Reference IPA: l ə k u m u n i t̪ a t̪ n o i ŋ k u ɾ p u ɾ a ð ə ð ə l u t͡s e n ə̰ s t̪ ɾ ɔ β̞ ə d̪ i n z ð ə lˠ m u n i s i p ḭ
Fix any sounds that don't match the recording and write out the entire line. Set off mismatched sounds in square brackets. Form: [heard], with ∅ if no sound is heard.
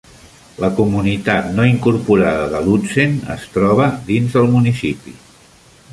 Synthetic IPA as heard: l ə k u m u n i t̪ a t̪ n o i ŋ k u ɾ p u ɾ a ð ə ð ə l u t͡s e n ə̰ s t̪ ɾ ɔ β̞ ə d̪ i n z ð ə lˠ m u n i s i p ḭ

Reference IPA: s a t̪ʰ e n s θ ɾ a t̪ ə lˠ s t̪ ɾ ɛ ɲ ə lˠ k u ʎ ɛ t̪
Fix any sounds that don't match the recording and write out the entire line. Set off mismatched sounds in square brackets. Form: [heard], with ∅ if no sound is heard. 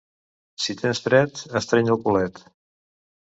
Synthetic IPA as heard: s [i] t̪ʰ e n s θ ɾ [ɛ] t̪ ə [∅] s t̪ ɾ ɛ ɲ ə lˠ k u [l] ɛ t̪

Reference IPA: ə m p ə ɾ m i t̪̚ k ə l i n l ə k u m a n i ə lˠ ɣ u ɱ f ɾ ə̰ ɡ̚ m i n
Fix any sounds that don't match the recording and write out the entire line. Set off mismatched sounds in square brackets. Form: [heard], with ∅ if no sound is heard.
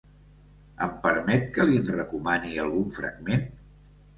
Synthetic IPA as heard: ə m p ə ɾ m [ɛ] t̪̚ k ə l i n [r] ə k u m a n i ə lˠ ɣ u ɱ f ɾ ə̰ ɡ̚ m [e] n

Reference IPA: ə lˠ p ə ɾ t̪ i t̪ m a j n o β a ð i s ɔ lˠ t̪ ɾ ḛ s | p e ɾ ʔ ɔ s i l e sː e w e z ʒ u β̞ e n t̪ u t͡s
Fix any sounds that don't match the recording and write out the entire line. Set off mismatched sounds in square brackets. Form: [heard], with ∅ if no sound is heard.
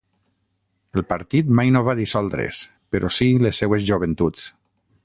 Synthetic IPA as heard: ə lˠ p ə ɾ t̪ i t̪ m a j n o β a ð i s ɔ lˠ [d̪] ɾ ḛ s | p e ɾ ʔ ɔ s i l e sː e w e z ʒ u β̞ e n t̪ u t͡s

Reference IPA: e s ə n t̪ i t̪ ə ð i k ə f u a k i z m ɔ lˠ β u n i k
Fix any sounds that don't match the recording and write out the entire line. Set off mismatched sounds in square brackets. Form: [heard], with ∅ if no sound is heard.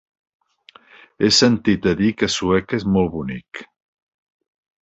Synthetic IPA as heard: e s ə n t̪ i t̪ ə ð i k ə [s] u [ɛ] k [e] z m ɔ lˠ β u n i k

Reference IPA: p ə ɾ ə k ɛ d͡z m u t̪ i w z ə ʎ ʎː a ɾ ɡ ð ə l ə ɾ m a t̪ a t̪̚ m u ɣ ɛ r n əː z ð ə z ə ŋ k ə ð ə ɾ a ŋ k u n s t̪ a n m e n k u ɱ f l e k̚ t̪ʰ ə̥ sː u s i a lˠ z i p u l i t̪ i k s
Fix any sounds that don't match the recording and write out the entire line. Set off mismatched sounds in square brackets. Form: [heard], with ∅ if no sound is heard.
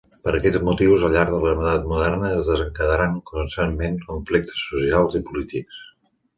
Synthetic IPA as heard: p ə ɾ ə k ɛ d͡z m u t̪ i w z ə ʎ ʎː a ɾ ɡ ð ə l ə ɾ m [ə] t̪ a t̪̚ m u [ð] ɛ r n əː z ð ə z ə ŋ k ə ð ə ɾ a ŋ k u n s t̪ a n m e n k u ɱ f l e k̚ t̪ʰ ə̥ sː u s i a lˠ z i p u l i t̪ i k s

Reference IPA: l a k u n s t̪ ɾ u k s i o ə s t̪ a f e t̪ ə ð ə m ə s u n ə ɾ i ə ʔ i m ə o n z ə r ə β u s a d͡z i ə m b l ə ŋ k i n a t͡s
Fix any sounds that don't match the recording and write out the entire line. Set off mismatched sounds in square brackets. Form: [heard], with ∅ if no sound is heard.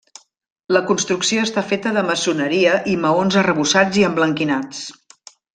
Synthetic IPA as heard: l [ə] k u n s t̪ ɾ u k s i o ə s t̪ a f e t̪ ə ð ə m ə s u n ə ɾ i ə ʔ i m ə o n z ə r ə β u s a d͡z i ə m b l ə ŋ k i n a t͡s

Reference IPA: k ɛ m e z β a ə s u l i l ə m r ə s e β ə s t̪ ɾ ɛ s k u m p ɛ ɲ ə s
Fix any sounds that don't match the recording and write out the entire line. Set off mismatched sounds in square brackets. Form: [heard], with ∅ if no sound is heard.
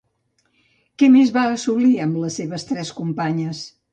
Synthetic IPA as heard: k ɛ m e z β a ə s u l i [∅] ə m [l] ə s e β ə s t̪ ɾ ɛ s k u m p [a] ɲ ə s

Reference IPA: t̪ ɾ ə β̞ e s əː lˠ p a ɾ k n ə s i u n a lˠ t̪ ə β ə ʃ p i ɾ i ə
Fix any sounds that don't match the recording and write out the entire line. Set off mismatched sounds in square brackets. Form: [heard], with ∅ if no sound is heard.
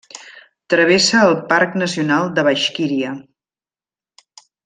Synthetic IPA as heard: t̪ ɾ ə β̞ e s əː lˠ p a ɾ k n ə s i u n a lˠ [d̪] ə β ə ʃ [k] i ɾ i ə

